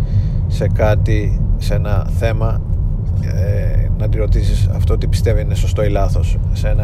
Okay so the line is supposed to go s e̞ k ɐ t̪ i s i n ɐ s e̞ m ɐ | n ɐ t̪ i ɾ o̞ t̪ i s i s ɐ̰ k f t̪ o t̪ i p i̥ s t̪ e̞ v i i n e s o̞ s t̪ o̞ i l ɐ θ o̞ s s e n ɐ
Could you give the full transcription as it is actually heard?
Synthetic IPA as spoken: s e̞ k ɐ t̪ i s e n ɐ θ e̞ m ɐ | n ɐ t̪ i ɾ o̞ t̪ i s i s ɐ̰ f t̪ o t̪ i p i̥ s t̪ e̞ v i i n e s o̞ s t̪ o̞ i l ɐ θ o̞ s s e n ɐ